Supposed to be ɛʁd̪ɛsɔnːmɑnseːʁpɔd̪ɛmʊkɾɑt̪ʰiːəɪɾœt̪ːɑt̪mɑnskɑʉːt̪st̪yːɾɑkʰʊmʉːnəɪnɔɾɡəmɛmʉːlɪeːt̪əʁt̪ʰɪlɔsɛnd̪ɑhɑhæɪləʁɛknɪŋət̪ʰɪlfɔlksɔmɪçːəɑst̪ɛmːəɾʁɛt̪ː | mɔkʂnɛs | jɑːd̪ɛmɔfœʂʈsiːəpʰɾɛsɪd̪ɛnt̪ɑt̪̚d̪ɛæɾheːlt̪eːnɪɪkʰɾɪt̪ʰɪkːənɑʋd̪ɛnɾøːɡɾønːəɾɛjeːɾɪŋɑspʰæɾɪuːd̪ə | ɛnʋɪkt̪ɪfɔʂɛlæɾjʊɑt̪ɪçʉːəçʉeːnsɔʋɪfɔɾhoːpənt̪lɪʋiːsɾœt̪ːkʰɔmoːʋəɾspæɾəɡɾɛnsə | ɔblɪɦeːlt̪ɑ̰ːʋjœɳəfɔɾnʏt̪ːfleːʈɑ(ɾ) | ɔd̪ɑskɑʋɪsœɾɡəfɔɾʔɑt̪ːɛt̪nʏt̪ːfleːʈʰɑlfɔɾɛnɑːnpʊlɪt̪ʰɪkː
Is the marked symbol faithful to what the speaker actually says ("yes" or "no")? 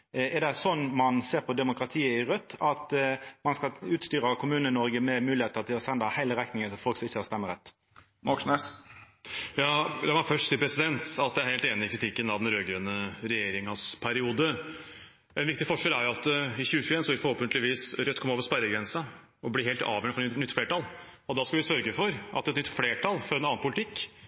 no